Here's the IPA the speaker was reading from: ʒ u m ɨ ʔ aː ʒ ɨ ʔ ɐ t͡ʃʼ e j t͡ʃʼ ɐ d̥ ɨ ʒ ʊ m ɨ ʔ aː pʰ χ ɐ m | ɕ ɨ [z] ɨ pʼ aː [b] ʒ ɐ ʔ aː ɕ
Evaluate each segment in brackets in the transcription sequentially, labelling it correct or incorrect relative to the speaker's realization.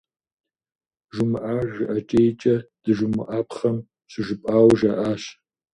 incorrect, incorrect

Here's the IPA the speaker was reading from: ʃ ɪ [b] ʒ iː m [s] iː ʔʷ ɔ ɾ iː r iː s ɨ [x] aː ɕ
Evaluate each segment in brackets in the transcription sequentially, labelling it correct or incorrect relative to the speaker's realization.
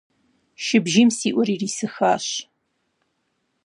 correct, correct, correct

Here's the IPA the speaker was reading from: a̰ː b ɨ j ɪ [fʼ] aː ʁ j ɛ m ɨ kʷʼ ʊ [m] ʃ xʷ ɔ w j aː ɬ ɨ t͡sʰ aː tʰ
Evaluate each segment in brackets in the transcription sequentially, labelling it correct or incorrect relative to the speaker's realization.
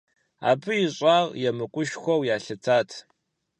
incorrect, incorrect

